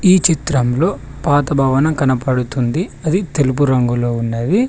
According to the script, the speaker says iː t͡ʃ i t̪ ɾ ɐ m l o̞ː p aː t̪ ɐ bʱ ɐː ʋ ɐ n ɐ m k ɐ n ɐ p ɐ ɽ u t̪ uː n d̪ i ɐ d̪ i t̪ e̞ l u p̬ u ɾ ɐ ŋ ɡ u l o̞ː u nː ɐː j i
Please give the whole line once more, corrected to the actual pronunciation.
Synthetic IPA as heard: iː t͡ʃ i t̪ ɾ ɐ m l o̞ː p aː t̪ ɐ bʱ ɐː ʋ ɐ n ɐ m k ɐ n ɐ p ɐ ɽ u t̪ u n d̪ i ɐ d̪ i t̪ e̞ l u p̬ u ɾ ɐ ŋ ɡ u l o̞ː u nː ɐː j i